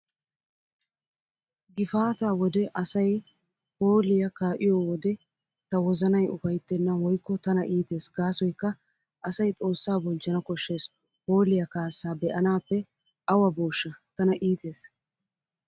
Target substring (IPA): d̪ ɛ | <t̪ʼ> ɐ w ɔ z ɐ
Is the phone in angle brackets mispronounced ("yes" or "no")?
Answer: yes